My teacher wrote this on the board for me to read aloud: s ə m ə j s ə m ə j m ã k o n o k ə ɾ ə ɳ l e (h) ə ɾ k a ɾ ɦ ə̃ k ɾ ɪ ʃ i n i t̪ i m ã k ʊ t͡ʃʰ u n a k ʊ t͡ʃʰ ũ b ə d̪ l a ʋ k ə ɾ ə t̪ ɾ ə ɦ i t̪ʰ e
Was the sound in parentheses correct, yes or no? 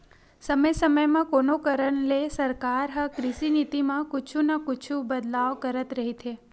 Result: no